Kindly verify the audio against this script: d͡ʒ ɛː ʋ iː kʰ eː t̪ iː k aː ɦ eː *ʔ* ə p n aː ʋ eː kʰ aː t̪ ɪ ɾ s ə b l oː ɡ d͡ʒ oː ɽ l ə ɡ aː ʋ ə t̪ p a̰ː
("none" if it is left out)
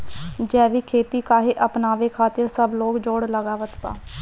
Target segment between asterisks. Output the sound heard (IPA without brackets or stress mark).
ʔ